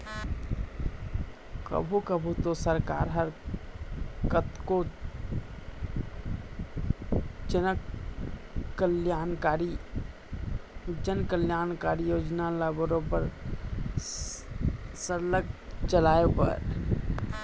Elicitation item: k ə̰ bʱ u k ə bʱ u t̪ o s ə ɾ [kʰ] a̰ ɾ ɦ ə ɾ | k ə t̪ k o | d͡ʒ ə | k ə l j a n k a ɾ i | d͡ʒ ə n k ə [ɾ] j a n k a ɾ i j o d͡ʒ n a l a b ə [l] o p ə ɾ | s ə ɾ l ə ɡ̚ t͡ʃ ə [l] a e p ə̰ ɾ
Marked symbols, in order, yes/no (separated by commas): no, no, no, yes